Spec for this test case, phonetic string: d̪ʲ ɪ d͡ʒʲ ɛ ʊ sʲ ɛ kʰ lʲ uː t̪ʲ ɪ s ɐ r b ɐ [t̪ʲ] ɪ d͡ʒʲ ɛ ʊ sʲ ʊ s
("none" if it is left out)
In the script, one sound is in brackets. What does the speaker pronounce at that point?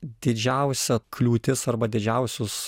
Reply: d̪ʲ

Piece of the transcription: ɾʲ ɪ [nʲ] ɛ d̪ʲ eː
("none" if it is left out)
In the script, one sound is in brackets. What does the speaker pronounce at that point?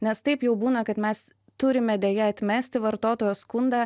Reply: mʲ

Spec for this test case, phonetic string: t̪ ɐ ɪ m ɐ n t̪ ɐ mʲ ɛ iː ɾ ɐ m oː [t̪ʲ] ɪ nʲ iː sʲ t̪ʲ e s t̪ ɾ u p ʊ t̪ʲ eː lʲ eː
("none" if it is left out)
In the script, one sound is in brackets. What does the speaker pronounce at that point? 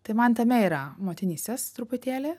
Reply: t̪ʲ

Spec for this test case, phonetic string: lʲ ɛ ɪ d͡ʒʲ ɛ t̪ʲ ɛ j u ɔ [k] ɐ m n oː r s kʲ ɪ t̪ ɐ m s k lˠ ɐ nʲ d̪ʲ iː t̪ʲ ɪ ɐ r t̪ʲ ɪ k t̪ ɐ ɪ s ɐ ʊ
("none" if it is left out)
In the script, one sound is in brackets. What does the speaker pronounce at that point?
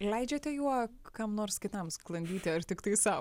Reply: k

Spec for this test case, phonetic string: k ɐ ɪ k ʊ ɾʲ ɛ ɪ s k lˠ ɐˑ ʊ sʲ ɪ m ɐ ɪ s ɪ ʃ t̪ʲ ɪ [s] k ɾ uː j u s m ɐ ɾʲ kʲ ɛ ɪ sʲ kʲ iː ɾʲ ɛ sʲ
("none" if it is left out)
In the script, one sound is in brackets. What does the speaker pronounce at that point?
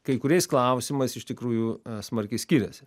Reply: none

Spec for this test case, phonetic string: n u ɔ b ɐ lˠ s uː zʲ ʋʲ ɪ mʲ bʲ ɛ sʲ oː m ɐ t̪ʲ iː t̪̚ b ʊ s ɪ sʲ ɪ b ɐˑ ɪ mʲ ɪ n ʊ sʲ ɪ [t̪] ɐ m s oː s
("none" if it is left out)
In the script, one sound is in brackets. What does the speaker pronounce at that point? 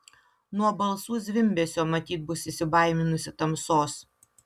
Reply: t̪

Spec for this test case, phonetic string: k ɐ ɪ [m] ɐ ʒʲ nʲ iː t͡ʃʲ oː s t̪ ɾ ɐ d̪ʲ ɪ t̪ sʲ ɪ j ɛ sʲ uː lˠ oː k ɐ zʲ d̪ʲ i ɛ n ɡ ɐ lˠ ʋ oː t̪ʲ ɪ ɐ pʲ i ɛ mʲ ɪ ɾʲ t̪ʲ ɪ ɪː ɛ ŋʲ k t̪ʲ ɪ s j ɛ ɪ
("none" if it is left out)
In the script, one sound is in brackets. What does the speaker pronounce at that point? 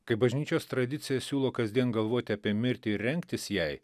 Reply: b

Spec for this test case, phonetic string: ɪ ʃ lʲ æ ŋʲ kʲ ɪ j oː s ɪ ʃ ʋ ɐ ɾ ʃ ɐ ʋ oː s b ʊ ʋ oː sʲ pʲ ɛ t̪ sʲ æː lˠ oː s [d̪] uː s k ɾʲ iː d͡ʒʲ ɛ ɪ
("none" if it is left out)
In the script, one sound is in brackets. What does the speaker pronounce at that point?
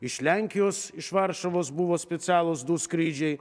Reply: d̪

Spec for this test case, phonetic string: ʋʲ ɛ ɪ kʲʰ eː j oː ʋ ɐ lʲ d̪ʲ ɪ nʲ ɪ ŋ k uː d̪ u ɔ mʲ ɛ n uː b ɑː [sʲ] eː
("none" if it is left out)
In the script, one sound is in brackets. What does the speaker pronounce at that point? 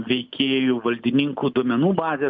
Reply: zʲ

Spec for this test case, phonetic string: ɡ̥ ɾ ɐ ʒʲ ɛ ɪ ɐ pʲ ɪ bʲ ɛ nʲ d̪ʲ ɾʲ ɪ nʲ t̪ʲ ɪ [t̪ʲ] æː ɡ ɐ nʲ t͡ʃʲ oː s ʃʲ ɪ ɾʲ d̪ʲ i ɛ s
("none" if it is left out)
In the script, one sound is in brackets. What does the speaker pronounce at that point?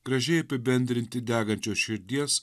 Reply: d̪ʲ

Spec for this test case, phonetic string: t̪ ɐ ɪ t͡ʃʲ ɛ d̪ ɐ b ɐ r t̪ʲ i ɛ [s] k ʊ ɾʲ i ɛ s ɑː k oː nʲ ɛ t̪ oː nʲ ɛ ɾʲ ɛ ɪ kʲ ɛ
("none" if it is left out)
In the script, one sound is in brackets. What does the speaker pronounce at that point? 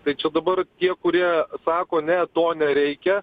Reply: none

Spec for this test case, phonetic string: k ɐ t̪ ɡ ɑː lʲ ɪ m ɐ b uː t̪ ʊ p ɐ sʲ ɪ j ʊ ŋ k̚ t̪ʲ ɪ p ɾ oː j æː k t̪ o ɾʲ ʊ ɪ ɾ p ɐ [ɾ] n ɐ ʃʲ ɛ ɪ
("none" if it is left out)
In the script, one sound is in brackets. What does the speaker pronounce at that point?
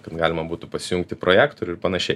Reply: none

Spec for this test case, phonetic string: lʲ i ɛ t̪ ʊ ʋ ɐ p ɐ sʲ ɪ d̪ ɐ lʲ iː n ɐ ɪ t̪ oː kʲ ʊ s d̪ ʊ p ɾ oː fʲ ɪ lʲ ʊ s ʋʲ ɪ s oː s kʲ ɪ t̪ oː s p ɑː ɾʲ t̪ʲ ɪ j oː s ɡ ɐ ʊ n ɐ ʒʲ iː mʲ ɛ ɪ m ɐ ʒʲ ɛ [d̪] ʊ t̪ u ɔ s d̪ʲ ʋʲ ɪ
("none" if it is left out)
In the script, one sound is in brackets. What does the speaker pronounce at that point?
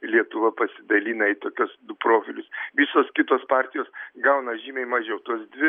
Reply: none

